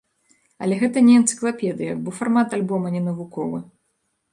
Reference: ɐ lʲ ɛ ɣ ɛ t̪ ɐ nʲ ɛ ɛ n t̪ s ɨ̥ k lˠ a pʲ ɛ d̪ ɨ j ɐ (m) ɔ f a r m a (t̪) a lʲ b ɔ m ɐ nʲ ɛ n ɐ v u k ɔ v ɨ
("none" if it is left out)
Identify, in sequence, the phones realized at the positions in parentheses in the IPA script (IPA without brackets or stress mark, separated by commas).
b, t̪